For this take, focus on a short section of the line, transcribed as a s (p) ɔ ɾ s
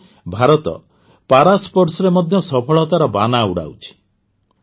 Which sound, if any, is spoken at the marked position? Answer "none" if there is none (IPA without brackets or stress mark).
p